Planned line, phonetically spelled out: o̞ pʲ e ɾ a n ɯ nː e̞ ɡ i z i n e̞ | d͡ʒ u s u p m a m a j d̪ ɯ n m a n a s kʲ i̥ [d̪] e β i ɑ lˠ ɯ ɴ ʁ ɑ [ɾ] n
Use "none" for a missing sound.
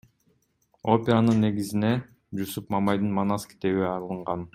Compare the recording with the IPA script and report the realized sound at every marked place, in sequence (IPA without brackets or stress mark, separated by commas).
t̪, none